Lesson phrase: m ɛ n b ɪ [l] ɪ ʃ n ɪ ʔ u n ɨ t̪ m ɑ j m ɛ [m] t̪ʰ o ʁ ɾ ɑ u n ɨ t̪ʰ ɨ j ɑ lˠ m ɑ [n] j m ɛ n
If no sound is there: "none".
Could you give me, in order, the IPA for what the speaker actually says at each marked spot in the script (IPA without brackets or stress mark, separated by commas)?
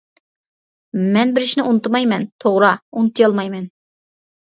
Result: ɾ, n, none